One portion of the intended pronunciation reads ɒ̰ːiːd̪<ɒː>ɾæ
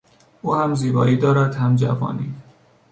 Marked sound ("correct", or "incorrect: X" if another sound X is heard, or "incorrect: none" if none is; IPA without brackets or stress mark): correct